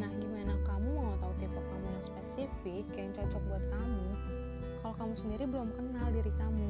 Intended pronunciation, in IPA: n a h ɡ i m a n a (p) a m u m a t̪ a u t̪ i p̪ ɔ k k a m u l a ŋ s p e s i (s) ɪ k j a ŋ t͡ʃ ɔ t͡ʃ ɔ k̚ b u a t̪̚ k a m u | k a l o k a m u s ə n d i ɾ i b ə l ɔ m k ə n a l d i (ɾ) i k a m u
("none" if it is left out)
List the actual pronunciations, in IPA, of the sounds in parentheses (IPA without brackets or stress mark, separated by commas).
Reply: k, f, ɾ